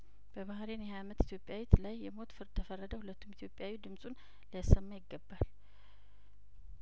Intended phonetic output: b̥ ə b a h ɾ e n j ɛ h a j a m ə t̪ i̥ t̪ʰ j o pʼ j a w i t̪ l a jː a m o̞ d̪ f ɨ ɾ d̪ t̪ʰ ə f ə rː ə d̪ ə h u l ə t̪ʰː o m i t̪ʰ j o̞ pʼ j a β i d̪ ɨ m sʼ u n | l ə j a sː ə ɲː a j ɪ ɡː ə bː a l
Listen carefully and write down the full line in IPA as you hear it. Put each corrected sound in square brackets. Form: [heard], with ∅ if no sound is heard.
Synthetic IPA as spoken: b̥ ə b a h ɾ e n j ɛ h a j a m ə t̪ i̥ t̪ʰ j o pʼ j a w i t̪ l a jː [ɛ] m o̞ [t̪] f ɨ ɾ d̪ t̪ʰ ə f ə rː ə d̪ ə h u l ə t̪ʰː [u] m i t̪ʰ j o̞ pʼ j a [w] i d̪ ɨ m sʼ u n | l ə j a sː ə [mː] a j ɪ ɡː ə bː a l